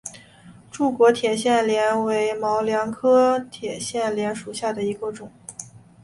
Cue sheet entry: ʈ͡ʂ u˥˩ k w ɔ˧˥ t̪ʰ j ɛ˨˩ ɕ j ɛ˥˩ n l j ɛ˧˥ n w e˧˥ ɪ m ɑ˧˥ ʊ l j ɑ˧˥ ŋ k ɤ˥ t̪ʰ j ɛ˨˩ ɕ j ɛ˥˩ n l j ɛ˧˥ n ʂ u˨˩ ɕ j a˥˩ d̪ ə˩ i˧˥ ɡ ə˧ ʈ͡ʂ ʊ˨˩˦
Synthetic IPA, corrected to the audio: ʈ͡ʂ u˥˩ k w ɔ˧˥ t̪ʰ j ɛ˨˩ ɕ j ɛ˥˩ n l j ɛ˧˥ n w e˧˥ ɪ m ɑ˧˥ ʊ l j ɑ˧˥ ŋ kʰ ɤ˥ t̪ʰ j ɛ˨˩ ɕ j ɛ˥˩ n l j ɛ˧˥ n ʂ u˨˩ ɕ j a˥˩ d̪ ə˩ i˧˥ ɡ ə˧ ʈ͡ʂ ʊ˨˩˦